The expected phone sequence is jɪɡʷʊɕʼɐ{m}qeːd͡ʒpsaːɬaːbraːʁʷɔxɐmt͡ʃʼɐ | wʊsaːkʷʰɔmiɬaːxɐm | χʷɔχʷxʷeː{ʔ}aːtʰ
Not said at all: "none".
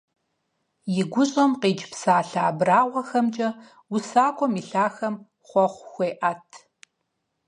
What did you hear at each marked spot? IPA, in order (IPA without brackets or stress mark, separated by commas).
m, ʔ